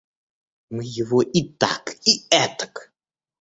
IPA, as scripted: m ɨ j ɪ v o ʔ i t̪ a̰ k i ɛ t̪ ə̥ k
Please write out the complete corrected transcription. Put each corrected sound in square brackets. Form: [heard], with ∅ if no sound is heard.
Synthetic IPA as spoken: m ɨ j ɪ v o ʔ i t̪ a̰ k i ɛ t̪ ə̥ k